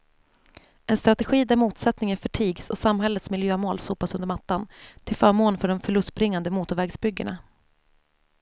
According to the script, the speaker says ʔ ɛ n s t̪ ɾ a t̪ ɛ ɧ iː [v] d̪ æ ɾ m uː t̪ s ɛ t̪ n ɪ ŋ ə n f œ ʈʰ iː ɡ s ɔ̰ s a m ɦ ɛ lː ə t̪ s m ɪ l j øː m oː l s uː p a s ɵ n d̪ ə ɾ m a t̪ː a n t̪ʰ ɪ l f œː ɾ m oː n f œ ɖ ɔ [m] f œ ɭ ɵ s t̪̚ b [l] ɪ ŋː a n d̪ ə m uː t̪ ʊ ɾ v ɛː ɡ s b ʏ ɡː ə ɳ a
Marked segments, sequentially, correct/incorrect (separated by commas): incorrect, correct, incorrect